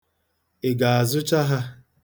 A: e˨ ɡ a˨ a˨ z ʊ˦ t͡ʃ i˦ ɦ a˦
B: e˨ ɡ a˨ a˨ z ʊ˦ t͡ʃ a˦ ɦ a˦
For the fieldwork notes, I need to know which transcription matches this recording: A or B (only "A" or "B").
B